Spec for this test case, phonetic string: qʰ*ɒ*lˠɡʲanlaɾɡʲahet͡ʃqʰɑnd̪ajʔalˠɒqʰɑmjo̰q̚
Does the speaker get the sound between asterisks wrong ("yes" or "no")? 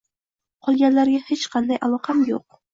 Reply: no